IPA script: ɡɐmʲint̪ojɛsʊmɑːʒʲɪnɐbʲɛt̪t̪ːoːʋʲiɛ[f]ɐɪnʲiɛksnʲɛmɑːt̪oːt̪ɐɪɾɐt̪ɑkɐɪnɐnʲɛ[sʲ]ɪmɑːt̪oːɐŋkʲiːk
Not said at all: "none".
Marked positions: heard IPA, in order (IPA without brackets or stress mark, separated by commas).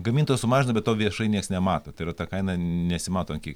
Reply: ʃ, sʲ